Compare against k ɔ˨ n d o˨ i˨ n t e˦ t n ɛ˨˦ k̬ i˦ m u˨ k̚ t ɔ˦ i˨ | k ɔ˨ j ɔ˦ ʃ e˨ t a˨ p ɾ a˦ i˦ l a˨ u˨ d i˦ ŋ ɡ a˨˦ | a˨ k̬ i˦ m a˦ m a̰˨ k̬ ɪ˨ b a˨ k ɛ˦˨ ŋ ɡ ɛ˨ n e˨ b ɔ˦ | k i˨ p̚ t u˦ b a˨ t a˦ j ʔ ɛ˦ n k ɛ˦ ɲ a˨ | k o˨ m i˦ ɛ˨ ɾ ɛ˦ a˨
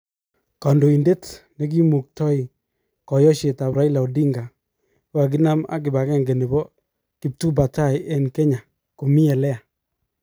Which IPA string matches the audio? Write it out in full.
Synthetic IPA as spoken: k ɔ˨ n d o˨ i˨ n d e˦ t n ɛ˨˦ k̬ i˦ m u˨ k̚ t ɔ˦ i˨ | k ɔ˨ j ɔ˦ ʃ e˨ t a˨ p ɾ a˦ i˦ l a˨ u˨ d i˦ ŋ ɡ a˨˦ | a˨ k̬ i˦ n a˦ m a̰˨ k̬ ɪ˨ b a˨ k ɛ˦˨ ŋ ɡ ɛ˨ n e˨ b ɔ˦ | k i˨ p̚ t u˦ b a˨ t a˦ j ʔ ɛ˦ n k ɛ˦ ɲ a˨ | k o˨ m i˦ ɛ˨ l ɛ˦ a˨